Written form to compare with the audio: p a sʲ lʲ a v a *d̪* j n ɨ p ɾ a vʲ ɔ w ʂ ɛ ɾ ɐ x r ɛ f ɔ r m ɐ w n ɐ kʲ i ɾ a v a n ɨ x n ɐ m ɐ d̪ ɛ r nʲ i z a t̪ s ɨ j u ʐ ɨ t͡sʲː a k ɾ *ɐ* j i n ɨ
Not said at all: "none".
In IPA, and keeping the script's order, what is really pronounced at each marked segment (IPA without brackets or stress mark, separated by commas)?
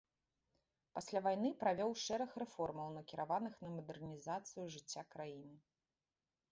none, a